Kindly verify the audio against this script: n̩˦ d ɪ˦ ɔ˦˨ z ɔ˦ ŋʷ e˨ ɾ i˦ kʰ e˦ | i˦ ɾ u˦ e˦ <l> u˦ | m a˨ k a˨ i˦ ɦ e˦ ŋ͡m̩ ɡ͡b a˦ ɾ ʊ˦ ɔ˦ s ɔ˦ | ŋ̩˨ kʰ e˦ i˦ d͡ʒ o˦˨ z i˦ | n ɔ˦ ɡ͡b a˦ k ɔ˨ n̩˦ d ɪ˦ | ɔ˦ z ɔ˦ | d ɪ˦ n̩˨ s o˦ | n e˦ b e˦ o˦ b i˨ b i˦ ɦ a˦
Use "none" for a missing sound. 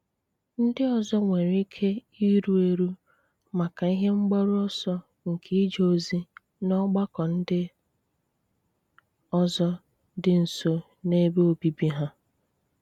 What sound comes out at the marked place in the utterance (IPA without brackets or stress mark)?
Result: ɾ